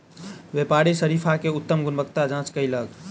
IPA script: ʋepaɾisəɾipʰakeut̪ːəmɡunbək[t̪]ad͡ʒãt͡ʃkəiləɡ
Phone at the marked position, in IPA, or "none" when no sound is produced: t̪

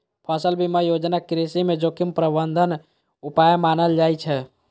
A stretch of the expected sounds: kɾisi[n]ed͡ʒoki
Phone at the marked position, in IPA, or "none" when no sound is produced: m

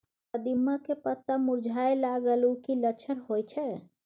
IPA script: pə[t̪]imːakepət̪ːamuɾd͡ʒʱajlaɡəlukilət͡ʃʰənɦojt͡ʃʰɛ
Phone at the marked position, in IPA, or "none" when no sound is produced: d̪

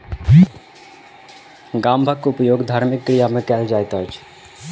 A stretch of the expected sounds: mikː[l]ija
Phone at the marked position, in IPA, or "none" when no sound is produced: ɾ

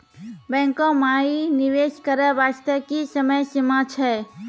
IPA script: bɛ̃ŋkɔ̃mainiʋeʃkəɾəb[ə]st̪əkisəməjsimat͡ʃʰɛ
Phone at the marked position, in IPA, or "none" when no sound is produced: a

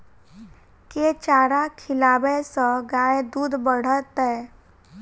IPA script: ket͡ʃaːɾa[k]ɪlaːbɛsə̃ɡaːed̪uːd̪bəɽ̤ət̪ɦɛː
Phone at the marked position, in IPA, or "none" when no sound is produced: kʰ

